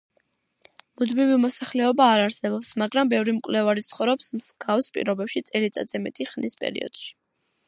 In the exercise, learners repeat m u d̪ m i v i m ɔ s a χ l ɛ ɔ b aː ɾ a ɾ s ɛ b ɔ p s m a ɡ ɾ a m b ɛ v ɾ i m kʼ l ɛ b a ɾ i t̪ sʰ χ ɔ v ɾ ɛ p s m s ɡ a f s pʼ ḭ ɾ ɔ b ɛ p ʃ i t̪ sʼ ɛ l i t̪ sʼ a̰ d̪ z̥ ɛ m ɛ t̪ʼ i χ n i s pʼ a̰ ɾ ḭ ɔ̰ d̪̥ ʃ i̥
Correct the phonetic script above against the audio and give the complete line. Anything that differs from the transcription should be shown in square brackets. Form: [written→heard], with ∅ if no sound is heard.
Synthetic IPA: m u d̪ m i v i m ɔ s a χ l ɛ ɔ b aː ɾ a ɾ s ɛ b ɔ p s m a ɡ ɾ a m b ɛ v ɾ i m kʼ l ɛ [b→v] a ɾ i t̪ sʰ χ ɔ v ɾ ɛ p s m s ɡ a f s pʼ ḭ ɾ ɔ b ɛ p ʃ i t̪ sʼ ɛ l i t̪ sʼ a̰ d̪ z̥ ɛ m ɛ t̪ʼ i χ n i s pʼ [a̰→ɛ̰] ɾ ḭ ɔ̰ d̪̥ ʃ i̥

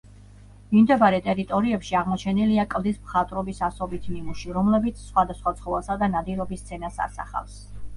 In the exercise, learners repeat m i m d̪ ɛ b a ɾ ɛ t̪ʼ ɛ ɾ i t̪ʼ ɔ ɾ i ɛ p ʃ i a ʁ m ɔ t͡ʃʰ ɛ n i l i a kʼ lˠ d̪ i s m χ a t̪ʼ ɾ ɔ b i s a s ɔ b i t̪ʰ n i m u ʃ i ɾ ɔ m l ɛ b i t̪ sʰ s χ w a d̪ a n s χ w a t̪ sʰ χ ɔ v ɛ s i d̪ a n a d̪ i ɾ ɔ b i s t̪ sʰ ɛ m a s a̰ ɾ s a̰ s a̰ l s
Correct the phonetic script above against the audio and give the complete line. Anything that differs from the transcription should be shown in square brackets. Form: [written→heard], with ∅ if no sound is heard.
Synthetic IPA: m i m d̪ ɛ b a ɾ ɛ t̪ʼ ɛ ɾ i t̪ʼ ɔ ɾ i ɛ p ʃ i a ʁ m ɔ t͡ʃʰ ɛ n i l i a kʼ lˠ d̪ i s m χ a t̪ʼ ɾ ɔ b i s a s ɔ b i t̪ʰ n i m u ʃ i ɾ ɔ m l ɛ b i t̪ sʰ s χ w a d̪ a [n→∅] s χ w a t̪ sʰ χ ɔ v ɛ s [i→a] d̪ a n a d̪ i ɾ ɔ b i s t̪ sʰ ɛ [m→n] a s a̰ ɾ s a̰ [s→χ] a̰ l s

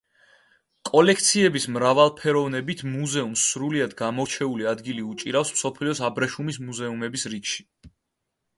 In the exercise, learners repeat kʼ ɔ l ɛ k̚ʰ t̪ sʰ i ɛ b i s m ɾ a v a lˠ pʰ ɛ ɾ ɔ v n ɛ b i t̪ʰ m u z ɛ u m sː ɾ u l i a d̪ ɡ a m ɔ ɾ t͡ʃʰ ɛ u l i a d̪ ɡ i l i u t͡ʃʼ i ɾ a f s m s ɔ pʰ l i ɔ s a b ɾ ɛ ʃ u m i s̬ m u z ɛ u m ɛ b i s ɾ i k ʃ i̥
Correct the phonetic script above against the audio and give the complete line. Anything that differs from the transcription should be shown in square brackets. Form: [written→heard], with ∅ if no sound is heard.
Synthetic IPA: kʼ ɔ l ɛ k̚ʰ t̪ sʰ i ɛ b i s m ɾ a v a lˠ pʰ ɛ ɾ ɔ v n ɛ b i t̪ʰ m u z ɛ u m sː ɾ u l i a d̪ ɡ a m ɔ ɾ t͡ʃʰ ɛ u l i a d̪ ɡ i l i u t͡ʃʼ i ɾ a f s m s ɔ pʰ l i ɔ s a b ɾ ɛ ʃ u m i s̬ m u z ɛ u m ɛ b i s ɾ i k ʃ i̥

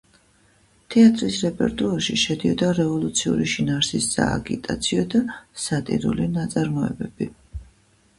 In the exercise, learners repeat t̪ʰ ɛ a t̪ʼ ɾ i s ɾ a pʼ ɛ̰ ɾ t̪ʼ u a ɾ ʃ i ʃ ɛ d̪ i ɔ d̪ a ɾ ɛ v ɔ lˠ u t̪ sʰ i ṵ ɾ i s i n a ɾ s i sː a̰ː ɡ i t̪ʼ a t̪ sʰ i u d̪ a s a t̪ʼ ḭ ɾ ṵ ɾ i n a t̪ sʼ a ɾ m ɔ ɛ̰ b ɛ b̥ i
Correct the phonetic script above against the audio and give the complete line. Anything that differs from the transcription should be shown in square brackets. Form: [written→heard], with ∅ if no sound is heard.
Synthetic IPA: t̪ʰ ɛ a t̪ʼ ɾ i s ɾ [a→ɛ] pʼ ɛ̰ ɾ t̪ʼ u a ɾ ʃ i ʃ ɛ d̪ i ɔ d̪ a ɾ ɛ v ɔ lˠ u t̪ sʰ i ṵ ɾ i [s→ʃ] i n a ɾ s i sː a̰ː ɡ i t̪ʼ a t̪ sʰ i [u→ɔ] d̪ a s a t̪ʼ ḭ ɾ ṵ [ɾ→l] i n a t̪ sʼ a ɾ m ɔ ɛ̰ b ɛ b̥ i

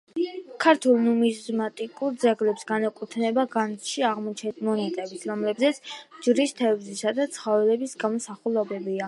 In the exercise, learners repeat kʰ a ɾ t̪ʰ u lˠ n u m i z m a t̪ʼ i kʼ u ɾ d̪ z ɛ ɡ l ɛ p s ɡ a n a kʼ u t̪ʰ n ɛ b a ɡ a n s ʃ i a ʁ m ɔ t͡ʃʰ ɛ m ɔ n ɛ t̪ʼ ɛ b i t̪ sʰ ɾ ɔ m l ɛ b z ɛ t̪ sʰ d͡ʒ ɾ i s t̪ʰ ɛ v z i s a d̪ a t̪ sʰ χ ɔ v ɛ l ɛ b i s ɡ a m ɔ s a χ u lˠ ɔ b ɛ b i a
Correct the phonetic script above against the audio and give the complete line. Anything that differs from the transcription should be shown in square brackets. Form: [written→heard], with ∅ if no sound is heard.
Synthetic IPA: kʰ a ɾ t̪ʰ u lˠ n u m i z m a t̪ʼ i kʼ u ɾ d̪ z ɛ ɡ l ɛ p s ɡ a n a kʼ u t̪ʰ n ɛ b a ɡ a n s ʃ i a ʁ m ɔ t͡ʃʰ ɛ m ɔ n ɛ t̪ʼ ɛ b i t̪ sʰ ɾ ɔ m l ɛ b z ɛ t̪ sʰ d͡ʒ ɾ i s t̪ʰ ɛ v z i s a d̪ a t̪ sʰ χ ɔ v ɛ l ɛ b i s ɡ a m ɔ s a χ u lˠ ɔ b ɛ b i a

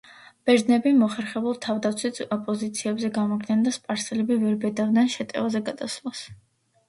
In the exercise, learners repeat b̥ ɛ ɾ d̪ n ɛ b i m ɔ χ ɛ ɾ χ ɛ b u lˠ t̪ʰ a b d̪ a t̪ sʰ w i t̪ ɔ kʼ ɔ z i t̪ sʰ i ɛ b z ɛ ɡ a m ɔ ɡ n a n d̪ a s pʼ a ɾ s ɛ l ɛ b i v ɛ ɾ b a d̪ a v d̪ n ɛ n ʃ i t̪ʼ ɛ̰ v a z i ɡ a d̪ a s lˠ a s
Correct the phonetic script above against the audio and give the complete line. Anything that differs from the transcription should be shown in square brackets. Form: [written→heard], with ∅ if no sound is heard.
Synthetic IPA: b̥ ɛ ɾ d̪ n ɛ b i m ɔ χ ɛ ɾ χ ɛ b u lˠ t̪ʰ a [b→v] d̪ a t̪ sʰ w i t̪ ɔ [kʼ→pʼ] ɔ z i t̪ sʰ i ɛ b z ɛ ɡ a m ɔ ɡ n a n d̪ a s pʼ a ɾ s ɛ l ɛ b i v ɛ ɾ b [a→ɛ] d̪ a v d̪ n ɛ n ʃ [i→ɛ] t̪ʼ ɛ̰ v a z [i→ɛ] ɡ a d̪ a s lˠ a s

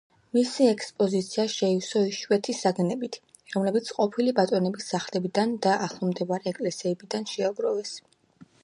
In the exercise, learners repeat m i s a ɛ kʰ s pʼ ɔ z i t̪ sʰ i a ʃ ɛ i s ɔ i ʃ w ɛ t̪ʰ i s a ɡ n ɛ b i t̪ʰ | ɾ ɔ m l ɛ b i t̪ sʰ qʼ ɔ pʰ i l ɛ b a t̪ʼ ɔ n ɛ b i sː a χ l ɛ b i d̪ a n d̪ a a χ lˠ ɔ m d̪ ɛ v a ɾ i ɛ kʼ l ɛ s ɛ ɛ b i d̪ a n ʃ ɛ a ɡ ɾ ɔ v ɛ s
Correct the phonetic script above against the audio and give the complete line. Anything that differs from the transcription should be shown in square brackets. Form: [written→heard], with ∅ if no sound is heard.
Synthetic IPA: m i s [a→i] ɛ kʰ s pʼ ɔ z i t̪ sʰ i a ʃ ɛ i s ɔ i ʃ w ɛ t̪ʰ i s a ɡ n ɛ b i t̪ʰ | ɾ ɔ m l ɛ b i t̪ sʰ qʼ ɔ pʰ i l [ɛ→i] b a t̪ʼ ɔ n ɛ b i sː a χ l ɛ b i d̪ a n d̪ a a χ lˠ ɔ m d̪ ɛ v a ɾ i ɛ kʼ l ɛ s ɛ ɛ b i d̪ a n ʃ ɛ a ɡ ɾ ɔ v ɛ s

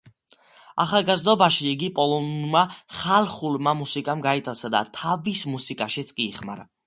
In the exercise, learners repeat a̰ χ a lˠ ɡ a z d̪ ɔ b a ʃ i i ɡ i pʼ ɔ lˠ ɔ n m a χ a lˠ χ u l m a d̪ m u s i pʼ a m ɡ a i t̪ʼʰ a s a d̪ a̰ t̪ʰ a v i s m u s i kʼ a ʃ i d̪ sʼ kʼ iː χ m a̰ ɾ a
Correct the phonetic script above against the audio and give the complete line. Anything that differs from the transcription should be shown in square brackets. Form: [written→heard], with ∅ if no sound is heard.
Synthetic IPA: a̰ χ a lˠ ɡ a z d̪ ɔ b a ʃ i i ɡ i pʼ ɔ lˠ ɔ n m a χ a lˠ χ u l m a [d̪→∅] m u s i [pʼ→kʼ] a m ɡ a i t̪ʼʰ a s a d̪ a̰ t̪ʰ a v i s m u s i kʼ a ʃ i [d̪→t̪] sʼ kʼ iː χ m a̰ ɾ a

